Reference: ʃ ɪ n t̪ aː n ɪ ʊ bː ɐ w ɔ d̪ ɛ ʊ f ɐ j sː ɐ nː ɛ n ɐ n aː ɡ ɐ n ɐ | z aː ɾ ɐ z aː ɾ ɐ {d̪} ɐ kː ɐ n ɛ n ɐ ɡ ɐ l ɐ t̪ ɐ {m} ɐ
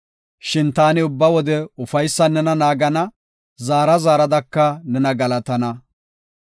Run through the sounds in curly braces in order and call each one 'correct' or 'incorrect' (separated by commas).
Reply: correct, incorrect